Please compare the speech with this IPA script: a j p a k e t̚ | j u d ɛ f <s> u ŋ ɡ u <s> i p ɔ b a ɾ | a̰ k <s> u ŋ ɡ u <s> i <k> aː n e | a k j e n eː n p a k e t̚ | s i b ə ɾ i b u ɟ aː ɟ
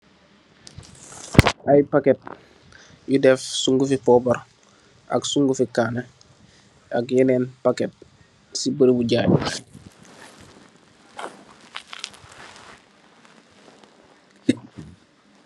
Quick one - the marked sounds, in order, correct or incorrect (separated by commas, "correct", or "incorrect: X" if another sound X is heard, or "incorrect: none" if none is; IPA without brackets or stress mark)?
correct, incorrect: f, correct, incorrect: f, correct